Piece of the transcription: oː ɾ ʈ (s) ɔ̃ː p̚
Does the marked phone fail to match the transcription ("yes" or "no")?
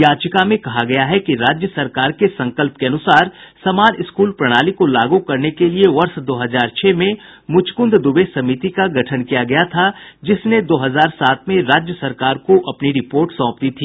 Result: no